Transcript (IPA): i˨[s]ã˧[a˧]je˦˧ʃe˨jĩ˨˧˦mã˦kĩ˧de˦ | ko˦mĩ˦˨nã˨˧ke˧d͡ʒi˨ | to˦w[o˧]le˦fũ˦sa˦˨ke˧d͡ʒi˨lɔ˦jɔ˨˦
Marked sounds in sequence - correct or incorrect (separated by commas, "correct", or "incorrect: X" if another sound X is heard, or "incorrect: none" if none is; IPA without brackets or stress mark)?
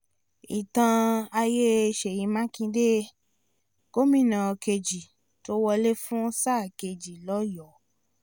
incorrect: t, correct, incorrect: ɔ˧